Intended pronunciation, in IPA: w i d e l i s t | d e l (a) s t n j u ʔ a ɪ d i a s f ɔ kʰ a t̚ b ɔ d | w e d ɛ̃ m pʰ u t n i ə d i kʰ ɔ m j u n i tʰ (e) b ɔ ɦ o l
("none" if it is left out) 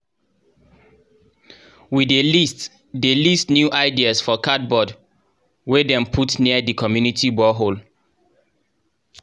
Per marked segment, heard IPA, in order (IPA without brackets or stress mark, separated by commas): i, i